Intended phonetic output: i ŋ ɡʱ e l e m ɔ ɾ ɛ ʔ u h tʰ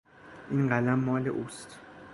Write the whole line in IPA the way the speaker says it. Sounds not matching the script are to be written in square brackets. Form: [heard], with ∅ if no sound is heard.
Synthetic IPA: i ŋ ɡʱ [a] l [a] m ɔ [l] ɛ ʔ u [s] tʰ